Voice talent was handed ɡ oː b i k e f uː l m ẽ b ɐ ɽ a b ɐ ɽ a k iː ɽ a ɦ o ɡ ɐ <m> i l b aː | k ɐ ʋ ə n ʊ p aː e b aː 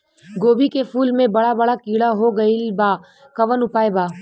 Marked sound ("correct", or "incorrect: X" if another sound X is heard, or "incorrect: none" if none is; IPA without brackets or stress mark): incorrect: none